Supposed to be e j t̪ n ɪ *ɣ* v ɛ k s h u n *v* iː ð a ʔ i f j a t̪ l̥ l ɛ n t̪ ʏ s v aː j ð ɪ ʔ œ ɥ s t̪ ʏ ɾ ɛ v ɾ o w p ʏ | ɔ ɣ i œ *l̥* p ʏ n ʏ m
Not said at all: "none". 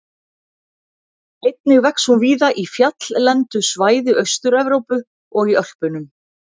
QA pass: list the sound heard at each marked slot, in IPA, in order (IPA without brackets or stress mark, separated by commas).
ɣ, v, l̥